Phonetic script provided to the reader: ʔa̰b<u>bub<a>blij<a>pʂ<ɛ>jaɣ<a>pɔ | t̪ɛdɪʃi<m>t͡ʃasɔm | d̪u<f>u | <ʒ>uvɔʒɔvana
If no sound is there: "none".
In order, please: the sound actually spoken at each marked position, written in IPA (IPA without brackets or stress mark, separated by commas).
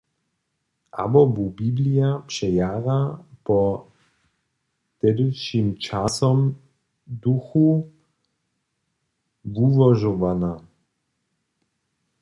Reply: ɔ, i, a, ɛ, a, m, x, v